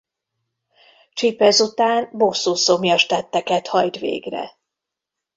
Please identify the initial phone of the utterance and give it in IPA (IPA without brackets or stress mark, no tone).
t͡ʃ